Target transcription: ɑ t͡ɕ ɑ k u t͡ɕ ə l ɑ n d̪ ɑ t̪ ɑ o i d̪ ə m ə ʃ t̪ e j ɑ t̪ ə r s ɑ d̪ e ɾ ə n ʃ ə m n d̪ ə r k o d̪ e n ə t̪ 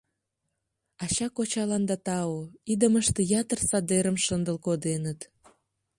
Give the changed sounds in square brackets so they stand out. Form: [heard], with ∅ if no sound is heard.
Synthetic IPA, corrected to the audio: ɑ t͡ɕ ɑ k [o] t͡ɕ [ɑ] l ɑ n d̪ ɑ t̪ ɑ o i d̪ ə m ə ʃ t̪ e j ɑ t̪ ə r s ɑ d̪ e ɾ ə [m] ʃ ə [∅] n d̪ ə [l] k o d̪ e n ə t̪